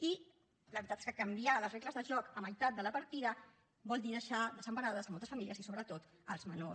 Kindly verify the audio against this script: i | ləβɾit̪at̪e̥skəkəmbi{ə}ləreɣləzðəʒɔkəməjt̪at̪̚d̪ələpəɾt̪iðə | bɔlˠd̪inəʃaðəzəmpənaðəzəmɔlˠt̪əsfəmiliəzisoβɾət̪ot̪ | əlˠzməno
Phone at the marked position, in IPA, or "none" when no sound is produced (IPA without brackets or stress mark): a